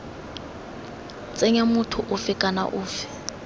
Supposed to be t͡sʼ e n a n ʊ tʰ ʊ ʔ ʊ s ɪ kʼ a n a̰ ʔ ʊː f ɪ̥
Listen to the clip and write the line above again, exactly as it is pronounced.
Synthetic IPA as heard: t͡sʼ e ɲ a m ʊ tʰ ʊ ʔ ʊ f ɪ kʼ a n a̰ ʔ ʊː f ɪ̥